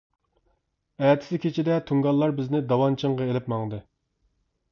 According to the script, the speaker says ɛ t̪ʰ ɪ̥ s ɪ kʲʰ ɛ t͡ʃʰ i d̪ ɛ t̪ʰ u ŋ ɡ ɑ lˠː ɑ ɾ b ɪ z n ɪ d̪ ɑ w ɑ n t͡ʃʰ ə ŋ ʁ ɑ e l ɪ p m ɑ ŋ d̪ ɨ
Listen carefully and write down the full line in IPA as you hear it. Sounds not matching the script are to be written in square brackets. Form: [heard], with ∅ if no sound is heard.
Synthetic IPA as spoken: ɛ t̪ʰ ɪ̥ s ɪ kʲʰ [e] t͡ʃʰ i d̪ ɛ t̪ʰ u ŋ ɡ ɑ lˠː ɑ ɾ b ɪ z n ɪ d̪ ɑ w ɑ n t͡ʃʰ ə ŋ ʁ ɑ e l ɪ p m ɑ ŋ d̪ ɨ